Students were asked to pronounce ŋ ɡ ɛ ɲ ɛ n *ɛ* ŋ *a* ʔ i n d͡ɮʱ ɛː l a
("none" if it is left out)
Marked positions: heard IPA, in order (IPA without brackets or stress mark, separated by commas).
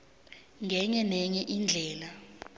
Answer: ɛ, ɛ